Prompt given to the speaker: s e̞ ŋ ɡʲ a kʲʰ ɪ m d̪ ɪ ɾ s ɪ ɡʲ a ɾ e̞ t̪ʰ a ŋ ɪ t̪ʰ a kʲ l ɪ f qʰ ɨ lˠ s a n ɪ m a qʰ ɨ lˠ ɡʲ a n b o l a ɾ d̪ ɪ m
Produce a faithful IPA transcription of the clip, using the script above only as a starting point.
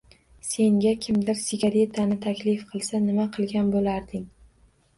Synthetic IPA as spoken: s e̞ ŋ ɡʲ a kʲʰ ɪ m d̪ ɪ ɾ s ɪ ɡʲ a ɾ e̞ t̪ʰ a n ɪ t̪ʰ a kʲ l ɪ f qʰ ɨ lˠ s a n ɪ m a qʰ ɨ lˠ ɡʲ a n b o l a ɾ d̪ ɪ ŋ